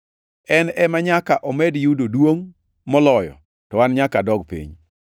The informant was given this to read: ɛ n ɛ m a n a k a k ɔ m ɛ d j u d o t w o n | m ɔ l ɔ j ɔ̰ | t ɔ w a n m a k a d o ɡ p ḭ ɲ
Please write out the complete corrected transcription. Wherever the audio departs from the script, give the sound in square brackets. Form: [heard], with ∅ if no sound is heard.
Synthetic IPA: ɛ n ɛ m a [ɲ] a k a [ʔ] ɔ m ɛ d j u d o [d] w o [ŋ] | m ɔ l ɔ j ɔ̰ | t ɔ w a n [ɲ] a k a d [ɔ] ɡ p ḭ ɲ